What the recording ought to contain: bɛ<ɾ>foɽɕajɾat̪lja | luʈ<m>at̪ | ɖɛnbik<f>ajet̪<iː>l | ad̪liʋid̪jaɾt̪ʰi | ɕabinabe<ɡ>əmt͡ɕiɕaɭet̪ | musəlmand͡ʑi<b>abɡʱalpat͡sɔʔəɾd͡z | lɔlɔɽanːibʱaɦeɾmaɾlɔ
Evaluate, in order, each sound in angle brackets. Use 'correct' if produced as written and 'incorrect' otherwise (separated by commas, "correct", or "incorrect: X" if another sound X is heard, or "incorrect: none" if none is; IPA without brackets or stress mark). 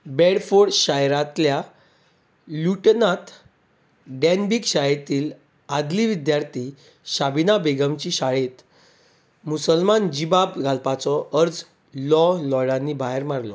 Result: incorrect: ɽ, incorrect: n, incorrect: ɕ, correct, correct, correct